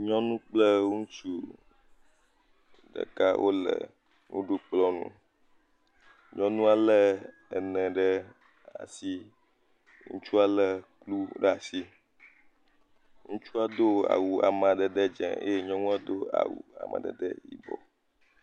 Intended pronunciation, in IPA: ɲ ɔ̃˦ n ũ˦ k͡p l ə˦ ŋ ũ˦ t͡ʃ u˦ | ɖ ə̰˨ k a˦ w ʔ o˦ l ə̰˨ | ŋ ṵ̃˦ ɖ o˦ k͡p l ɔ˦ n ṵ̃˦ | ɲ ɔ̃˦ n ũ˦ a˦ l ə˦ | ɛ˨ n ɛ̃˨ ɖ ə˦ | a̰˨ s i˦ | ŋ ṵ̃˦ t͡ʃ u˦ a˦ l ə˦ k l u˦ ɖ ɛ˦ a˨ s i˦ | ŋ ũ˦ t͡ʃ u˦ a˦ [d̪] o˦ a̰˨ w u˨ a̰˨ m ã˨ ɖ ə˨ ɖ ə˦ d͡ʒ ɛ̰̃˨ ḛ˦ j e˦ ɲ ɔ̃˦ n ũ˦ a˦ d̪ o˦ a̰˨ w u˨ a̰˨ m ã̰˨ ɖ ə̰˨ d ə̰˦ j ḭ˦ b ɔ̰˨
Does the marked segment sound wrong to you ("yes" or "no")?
no